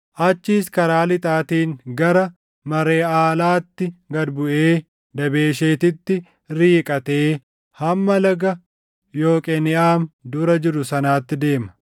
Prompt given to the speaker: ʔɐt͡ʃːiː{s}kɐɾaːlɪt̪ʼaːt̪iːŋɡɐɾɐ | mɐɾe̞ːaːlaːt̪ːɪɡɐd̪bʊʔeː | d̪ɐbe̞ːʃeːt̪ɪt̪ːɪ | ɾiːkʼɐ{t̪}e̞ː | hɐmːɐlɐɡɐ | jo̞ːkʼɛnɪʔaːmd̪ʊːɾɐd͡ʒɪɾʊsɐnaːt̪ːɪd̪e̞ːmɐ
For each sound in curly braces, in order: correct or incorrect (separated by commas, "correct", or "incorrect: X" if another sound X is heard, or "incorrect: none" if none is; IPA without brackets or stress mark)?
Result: correct, correct